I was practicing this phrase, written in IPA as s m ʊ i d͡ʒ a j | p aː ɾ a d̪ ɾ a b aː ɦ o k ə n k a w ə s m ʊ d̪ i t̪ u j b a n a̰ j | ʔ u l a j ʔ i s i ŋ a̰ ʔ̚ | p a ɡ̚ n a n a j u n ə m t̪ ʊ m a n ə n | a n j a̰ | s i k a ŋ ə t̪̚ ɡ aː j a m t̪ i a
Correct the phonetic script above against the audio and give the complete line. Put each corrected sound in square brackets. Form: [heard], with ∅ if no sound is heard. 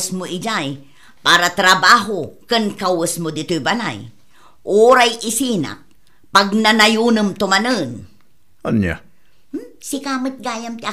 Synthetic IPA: s m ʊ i d͡ʒ a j | p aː ɾ a [t̪] ɾ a b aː ɦ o k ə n k a w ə s m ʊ d̪ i t̪ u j b a n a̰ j | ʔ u [ɾ] a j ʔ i s i [n] a̰ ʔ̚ | p a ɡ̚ n a n a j u n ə m t̪ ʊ m a n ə n | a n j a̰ | s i k a [m] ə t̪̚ ɡ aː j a m t̪ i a

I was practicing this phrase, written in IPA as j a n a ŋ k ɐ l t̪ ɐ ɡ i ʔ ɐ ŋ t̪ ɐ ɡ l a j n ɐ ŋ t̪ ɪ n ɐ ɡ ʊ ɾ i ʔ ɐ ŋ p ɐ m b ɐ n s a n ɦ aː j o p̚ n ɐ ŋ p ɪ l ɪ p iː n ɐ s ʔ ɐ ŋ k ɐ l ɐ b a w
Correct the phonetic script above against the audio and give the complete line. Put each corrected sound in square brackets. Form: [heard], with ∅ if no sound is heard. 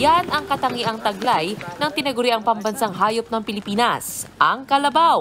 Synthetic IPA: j a n [ɐ] ŋ k ɐ [∅] t̪ ɐ [ŋ] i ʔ ɐ ŋ t̪ ɐ ɡ l a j n ɐ ŋ t̪ ɪ n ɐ ɡ ʊ ɾ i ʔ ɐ ŋ p ɐ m b ɐ n s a [ŋ] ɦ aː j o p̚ n ɐ ŋ p ɪ l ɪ p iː n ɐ s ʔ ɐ ŋ k ɐ l ɐ b a w

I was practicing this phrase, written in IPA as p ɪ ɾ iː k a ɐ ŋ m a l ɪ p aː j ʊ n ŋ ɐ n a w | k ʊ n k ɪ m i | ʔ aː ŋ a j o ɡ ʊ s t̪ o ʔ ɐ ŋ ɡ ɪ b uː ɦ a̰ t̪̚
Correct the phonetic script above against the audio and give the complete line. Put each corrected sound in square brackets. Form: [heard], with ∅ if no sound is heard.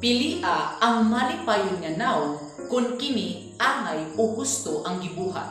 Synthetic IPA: p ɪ [l] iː [ʔ] a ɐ ŋ m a l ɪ p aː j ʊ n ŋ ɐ n a w | k ʊ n k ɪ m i | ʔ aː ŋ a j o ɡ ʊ s t̪ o ʔ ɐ ŋ ɡ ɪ b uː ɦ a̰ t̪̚

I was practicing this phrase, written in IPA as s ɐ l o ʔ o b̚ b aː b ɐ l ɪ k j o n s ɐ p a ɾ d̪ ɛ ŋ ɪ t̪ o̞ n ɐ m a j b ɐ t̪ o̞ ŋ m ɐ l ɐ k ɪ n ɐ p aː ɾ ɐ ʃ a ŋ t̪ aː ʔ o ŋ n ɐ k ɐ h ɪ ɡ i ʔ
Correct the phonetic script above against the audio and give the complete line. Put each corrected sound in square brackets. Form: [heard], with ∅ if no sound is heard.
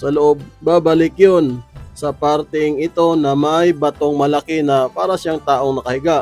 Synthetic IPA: s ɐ l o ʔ o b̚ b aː b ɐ l ɪ k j o n s ɐ p a ɾ [t̪] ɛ ŋ ɪ t̪ o̞ n ɐ m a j b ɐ t̪ o̞ ŋ m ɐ l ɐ k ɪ n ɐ p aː ɾ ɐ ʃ a ŋ t̪ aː ʔ o ŋ n ɐ k ɐ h ɪ ɡ [a] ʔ

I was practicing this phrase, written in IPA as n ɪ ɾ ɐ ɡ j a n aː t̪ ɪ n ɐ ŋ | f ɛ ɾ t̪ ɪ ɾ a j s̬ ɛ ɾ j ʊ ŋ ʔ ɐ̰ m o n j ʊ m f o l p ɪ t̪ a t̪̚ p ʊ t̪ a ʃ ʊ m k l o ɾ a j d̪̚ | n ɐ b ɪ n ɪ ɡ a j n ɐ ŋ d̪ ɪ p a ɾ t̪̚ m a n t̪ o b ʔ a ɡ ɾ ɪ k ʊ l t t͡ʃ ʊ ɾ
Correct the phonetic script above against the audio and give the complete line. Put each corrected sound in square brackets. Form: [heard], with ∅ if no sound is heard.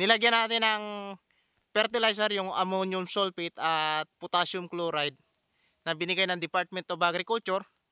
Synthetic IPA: n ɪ [l] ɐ ɡ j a n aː t̪ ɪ n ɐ ŋ | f ɛ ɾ t̪ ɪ [l] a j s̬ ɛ ɾ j ʊ ŋ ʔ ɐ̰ m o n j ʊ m [s] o l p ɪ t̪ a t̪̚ p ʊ t̪ a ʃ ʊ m k l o ɾ a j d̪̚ | n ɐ b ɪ n ɪ ɡ a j n ɐ ŋ d̪ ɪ p a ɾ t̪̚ m [ɛ] n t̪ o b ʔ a ɡ ɾ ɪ k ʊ l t t͡ʃ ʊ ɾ

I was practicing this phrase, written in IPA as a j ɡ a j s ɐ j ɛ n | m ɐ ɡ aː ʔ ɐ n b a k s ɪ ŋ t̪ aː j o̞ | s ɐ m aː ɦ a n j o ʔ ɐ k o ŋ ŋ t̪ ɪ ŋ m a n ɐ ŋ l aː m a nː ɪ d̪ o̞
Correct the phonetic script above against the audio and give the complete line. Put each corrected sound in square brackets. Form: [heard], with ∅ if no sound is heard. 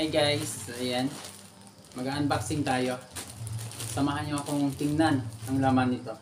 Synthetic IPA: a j ɡ a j s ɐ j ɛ n | m ɐ ɡ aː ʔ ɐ n b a k s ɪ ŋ t̪ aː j o̞ | s ɐ m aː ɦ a n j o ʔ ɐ k o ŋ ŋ t̪ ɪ ŋ [n] a n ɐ ŋ l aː m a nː ɪ [t̪] o̞

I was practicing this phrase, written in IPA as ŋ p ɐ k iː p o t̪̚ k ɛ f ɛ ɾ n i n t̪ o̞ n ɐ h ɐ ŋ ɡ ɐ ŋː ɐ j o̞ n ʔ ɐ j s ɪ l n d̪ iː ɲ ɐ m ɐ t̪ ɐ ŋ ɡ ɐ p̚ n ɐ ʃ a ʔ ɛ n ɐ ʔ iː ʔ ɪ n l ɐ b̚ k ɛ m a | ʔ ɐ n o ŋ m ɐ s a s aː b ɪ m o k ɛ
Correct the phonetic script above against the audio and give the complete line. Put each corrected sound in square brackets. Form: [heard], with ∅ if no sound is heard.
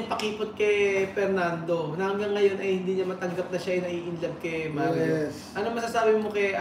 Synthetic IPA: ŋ p ɐ k iː p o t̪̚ k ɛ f ɛ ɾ n [a] n [d̪] o̞ n ɐ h ɐ ŋ ɡ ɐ ŋː ɐ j o̞ n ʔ ɐ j [h] ɪ [∅] n d̪ iː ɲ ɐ m ɐ t̪ ɐ ŋ ɡ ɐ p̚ n ɐ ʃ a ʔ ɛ n ɐ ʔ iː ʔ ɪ n l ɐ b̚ k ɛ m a | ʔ ɐ n o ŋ m ɐ s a s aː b ɪ m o k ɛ

